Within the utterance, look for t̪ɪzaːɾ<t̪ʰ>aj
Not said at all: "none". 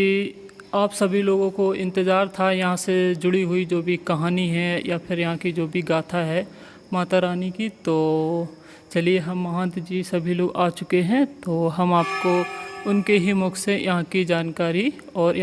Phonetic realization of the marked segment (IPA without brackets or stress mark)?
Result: t̪ʰ